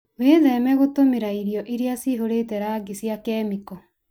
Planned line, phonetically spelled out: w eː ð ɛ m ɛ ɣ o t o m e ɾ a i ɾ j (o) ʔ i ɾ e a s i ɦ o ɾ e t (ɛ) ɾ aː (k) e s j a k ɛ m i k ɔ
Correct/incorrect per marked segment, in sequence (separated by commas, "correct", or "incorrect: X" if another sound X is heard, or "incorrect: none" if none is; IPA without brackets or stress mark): incorrect: ɔ, correct, incorrect: ɡ